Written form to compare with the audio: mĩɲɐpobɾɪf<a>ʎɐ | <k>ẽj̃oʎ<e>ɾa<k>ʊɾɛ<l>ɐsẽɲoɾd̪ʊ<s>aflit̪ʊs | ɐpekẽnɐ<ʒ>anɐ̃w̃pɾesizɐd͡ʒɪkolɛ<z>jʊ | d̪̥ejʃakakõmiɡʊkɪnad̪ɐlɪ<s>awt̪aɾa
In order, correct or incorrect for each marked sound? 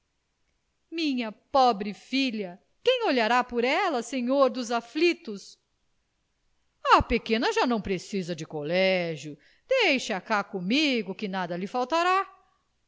incorrect: i, correct, incorrect: a, incorrect: p, correct, incorrect: z, correct, incorrect: ʒ, incorrect: f

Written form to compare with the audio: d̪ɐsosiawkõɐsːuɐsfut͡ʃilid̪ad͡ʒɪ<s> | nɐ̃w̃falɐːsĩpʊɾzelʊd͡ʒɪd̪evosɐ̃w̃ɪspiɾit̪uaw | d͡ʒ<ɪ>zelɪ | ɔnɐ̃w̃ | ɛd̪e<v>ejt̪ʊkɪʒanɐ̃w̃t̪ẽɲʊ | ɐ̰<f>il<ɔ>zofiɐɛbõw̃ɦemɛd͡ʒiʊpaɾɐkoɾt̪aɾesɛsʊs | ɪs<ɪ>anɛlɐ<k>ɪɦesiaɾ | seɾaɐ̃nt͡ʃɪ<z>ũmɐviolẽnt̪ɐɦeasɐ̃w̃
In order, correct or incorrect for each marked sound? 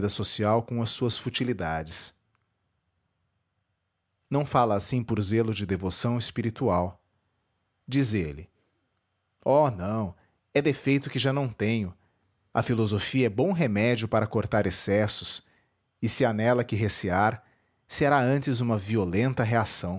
correct, incorrect: i, incorrect: f, correct, incorrect: o, correct, correct, correct

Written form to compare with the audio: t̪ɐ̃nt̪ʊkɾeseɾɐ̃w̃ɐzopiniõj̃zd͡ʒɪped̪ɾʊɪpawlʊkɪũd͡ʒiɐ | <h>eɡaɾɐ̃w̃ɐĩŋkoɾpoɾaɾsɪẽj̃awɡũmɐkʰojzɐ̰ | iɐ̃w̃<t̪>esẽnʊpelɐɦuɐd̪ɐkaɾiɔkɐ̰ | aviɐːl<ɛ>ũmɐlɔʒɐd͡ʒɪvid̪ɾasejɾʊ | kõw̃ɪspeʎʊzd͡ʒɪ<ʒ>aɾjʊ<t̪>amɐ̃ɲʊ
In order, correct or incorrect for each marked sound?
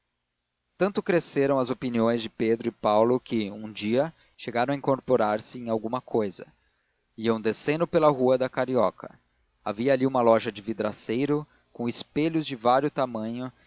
incorrect: ʃ, incorrect: d̪, incorrect: i, incorrect: v, correct

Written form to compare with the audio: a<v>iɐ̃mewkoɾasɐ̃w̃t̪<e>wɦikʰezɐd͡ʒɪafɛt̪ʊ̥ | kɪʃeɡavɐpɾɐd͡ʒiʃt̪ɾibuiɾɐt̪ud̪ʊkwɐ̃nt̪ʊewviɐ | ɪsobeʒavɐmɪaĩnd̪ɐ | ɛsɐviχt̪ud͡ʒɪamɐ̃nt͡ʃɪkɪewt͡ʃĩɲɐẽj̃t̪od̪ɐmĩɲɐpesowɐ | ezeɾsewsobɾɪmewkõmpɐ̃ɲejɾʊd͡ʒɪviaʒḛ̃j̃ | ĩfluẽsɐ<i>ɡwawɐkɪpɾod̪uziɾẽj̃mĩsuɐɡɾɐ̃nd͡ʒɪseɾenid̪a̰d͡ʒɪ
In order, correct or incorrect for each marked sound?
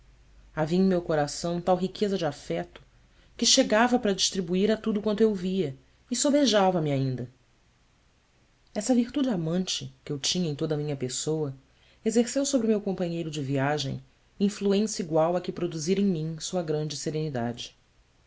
correct, incorrect: a, correct

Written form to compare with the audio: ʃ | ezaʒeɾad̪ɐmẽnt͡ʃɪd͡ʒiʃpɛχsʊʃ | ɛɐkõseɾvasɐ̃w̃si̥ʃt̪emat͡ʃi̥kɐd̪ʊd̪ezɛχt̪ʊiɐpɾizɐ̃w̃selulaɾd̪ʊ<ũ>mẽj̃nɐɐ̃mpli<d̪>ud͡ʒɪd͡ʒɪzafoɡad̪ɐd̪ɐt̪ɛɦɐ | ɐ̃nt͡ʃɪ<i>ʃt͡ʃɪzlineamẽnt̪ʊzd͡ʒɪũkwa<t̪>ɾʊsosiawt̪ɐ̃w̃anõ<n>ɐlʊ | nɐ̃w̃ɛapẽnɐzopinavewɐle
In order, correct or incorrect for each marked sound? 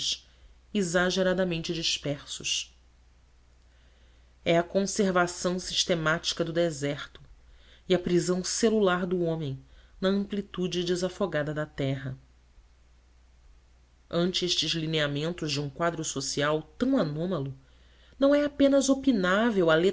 incorrect: õ, incorrect: t̪, incorrect: e, incorrect: d̪, incorrect: m

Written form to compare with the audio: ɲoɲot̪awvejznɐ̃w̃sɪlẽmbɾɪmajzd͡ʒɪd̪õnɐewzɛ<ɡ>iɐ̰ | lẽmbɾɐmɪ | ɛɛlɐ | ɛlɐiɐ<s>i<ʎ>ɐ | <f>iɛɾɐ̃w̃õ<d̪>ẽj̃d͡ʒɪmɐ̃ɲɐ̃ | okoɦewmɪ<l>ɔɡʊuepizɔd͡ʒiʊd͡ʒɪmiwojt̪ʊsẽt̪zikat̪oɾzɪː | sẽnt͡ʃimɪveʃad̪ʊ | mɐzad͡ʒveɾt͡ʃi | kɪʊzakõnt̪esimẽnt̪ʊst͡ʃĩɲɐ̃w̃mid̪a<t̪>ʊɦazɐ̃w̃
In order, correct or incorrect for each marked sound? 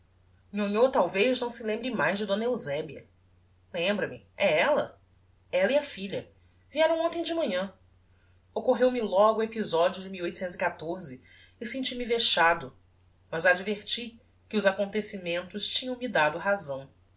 incorrect: b, incorrect: f, correct, incorrect: v, incorrect: t̪, correct, incorrect: d̪

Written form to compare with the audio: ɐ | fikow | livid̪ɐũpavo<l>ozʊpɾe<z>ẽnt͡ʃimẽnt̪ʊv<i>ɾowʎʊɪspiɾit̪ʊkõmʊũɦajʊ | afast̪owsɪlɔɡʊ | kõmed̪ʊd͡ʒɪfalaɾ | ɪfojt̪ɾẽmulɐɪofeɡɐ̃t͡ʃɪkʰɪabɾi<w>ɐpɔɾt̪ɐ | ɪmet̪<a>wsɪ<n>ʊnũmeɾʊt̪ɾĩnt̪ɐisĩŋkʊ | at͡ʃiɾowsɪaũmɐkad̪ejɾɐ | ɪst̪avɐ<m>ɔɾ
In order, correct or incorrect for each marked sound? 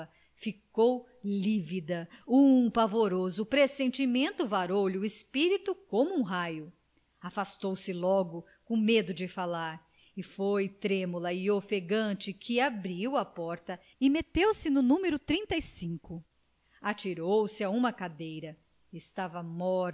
incorrect: ɾ, incorrect: s, incorrect: a, correct, incorrect: e, correct, correct

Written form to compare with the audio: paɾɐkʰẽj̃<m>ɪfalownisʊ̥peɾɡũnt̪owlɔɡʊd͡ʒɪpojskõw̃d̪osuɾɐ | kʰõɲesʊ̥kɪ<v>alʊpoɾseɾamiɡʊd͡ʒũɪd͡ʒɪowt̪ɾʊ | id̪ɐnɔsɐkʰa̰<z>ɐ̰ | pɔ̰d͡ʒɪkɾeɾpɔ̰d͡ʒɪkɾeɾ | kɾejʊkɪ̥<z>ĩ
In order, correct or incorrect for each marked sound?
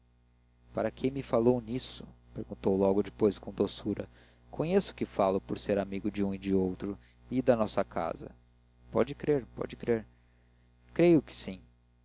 correct, incorrect: f, correct, incorrect: s

